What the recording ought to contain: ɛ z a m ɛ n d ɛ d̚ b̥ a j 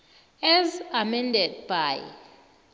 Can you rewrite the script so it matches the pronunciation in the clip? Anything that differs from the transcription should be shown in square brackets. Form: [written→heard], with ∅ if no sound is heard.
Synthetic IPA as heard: ɛ z a m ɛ n d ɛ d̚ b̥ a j